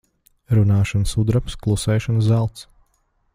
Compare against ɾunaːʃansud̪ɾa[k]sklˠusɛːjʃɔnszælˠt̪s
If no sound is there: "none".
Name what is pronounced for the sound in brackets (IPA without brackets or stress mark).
p